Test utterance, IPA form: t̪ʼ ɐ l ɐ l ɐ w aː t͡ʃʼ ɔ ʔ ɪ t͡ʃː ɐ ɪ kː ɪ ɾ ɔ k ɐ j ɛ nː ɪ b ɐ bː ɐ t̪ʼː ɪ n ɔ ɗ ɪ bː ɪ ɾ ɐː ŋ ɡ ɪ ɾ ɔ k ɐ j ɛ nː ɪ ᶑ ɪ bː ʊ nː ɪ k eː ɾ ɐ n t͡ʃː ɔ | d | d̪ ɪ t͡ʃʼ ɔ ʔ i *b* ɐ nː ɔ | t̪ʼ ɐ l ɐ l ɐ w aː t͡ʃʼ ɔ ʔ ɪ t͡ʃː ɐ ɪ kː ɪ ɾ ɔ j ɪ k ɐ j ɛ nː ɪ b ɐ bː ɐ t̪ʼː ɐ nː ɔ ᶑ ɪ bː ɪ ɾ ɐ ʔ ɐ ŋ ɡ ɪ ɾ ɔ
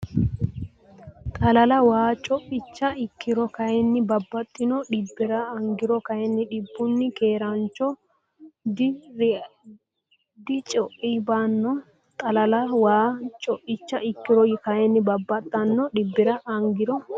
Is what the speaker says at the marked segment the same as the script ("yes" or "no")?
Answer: yes